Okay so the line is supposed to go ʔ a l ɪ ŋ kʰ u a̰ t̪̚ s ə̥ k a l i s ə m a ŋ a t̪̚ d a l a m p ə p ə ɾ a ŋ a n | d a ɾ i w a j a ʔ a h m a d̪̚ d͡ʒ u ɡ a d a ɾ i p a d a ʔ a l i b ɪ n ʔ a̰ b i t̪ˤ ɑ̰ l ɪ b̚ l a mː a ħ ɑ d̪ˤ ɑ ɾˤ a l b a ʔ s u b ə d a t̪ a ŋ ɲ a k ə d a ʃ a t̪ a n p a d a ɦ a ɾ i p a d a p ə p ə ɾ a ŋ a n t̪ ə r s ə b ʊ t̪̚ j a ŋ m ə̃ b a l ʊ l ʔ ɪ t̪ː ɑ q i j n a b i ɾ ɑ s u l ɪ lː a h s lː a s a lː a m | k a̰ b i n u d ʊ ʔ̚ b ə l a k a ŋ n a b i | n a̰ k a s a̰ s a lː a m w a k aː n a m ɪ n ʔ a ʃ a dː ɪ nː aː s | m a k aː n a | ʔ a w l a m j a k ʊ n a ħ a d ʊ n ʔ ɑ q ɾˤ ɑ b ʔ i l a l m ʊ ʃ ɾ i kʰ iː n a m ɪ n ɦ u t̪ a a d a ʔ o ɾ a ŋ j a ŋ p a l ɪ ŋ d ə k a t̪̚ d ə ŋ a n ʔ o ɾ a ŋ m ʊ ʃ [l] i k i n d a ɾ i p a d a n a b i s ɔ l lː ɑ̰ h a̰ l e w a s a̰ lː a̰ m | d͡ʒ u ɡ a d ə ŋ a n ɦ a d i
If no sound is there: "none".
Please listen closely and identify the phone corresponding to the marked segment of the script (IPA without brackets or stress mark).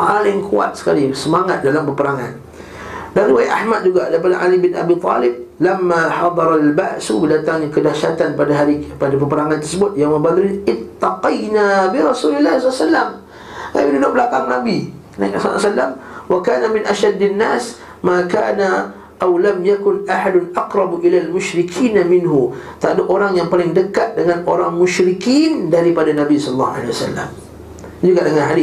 ɾ